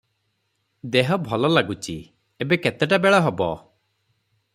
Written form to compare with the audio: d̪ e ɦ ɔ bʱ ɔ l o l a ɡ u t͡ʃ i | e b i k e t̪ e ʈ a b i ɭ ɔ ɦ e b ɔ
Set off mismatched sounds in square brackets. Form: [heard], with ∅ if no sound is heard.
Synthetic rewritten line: d̪ e ɦ ɔ bʱ ɔ l [ɔ] l a ɡ u t͡ʃ i | e b [e] k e t̪ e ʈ a b [e] ɭ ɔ ɦ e b ɔ